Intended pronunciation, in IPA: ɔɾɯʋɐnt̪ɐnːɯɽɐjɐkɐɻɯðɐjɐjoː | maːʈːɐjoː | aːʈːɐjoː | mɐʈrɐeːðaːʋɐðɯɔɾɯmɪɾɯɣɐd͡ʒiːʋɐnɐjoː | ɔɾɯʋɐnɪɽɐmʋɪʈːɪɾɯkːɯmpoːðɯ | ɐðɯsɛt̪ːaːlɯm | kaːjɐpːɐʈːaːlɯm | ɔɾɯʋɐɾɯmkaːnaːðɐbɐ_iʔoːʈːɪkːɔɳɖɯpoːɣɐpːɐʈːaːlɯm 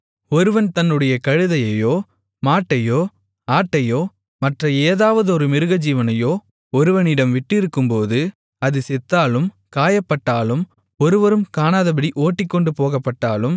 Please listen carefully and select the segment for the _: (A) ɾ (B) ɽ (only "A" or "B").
B